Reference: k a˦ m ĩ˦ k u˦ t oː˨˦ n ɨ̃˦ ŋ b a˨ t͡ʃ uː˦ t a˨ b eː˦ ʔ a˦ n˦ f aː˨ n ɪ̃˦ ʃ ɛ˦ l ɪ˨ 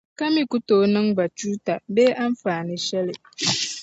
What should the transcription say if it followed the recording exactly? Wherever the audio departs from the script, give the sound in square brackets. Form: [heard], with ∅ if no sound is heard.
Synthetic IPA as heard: k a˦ m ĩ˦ k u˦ t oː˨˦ n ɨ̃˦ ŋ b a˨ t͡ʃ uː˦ t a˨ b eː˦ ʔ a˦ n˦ f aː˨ n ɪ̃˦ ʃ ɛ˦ l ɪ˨